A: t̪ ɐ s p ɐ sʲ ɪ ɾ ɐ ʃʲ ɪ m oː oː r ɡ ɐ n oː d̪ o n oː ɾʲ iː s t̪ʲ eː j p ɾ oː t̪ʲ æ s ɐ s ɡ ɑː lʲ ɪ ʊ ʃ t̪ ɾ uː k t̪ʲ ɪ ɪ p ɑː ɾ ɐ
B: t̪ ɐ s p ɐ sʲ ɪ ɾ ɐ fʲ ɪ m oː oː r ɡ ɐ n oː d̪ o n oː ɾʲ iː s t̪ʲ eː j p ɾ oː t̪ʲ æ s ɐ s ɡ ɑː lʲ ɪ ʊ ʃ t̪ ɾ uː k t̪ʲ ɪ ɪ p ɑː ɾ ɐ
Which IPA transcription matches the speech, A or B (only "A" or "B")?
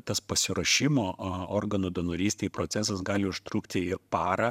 A